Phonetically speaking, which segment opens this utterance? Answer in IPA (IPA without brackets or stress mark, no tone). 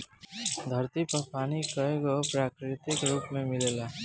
d̪ʱ